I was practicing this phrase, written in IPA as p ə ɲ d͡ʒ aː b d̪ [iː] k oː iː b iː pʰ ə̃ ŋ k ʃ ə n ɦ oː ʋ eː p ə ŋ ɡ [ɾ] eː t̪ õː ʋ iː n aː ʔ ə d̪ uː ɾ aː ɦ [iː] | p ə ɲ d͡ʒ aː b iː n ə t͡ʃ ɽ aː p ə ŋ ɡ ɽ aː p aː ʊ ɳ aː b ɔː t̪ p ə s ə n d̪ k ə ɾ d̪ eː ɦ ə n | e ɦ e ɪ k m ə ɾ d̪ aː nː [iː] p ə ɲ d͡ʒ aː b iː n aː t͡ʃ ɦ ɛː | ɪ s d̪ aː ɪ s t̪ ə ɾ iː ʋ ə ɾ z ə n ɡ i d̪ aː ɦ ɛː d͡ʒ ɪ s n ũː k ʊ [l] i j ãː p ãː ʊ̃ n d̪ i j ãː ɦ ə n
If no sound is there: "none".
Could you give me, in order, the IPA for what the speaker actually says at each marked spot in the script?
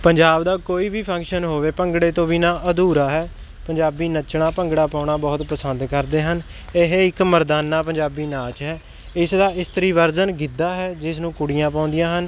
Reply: aː, ɽ, ɛː, aː, ɽ

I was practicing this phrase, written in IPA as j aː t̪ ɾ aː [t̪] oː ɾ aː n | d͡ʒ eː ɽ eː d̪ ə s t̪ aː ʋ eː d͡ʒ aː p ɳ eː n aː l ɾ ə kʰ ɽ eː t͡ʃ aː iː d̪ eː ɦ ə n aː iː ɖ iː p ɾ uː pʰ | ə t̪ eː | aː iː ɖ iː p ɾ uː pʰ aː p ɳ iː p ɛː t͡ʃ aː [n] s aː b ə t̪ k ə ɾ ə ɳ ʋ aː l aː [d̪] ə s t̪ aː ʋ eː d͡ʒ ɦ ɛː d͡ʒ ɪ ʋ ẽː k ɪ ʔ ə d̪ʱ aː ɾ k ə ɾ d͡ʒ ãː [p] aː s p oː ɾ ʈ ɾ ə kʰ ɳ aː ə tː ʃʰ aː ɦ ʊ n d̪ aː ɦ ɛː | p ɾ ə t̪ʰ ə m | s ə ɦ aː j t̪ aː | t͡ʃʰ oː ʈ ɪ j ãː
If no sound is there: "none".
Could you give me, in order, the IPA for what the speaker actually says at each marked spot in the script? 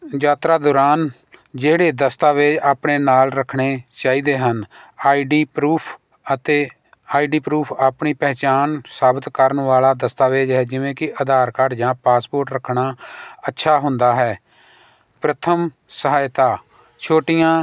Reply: d̪, n, d̪, p

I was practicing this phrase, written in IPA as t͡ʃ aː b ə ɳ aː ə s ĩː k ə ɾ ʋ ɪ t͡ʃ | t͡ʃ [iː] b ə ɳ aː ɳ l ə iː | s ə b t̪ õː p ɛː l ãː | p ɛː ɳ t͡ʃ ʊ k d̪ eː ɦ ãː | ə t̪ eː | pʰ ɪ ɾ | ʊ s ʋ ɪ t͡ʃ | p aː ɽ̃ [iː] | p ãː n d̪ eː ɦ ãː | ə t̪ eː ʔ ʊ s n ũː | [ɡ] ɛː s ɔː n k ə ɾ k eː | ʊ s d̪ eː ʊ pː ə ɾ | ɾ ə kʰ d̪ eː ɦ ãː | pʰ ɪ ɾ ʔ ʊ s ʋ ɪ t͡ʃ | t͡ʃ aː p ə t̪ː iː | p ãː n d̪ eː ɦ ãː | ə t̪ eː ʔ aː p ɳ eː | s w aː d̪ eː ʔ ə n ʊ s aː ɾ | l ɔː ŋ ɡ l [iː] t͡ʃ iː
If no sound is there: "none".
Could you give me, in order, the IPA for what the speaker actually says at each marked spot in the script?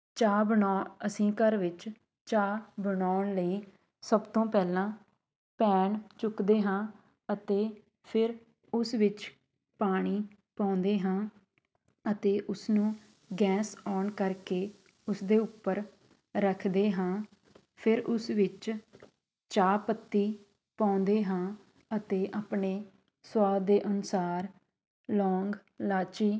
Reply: aː, iː, ɡ, aː

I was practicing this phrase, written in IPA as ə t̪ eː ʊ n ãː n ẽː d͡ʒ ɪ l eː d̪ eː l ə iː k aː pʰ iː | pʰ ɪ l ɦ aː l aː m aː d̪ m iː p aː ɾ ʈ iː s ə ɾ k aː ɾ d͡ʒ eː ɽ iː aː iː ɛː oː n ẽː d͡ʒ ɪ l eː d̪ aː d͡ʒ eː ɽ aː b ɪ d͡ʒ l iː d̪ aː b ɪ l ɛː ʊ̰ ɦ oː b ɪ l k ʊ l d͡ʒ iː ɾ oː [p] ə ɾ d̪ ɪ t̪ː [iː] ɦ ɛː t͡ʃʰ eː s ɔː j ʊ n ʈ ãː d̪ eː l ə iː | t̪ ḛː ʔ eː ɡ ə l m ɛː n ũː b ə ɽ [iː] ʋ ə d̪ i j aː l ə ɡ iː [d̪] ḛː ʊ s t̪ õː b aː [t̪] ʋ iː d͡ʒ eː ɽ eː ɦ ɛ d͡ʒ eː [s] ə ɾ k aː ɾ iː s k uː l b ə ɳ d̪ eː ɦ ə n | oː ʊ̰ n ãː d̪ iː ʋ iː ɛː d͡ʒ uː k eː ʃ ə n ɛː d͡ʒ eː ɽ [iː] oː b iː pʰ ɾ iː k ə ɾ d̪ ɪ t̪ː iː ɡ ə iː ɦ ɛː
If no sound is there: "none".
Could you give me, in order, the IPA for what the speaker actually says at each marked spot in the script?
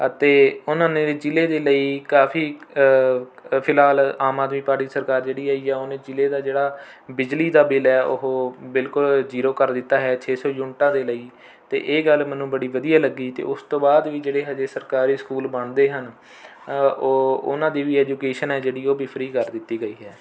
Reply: k, aː, iː, t̪, d̪, s, iː

